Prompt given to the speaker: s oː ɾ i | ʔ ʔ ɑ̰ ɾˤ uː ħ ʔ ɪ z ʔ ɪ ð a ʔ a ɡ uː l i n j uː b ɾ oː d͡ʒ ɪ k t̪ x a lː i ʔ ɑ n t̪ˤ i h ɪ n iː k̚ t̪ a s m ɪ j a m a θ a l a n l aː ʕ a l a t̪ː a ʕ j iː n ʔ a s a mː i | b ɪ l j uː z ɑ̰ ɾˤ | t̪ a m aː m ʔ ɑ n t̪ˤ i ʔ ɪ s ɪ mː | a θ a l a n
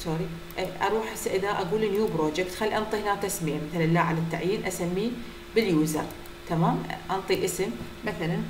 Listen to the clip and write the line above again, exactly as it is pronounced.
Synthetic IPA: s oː ɾ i | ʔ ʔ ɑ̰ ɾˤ uː ħ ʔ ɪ s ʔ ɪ ð a ʔ a ɡ uː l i n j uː b ɾ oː d͡ʒ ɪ k t̪ x a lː i ʔ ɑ n t̪ˤ i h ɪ n aː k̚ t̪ a s m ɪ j a m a θ a l a n l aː ʕ a l a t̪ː a ʕ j iː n ʔ a s a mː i | b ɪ l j uː z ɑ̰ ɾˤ | t̪ a m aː m ʔ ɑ n t̪ˤ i ʔ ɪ s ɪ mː | a θ a l a n